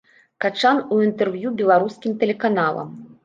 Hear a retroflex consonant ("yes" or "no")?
yes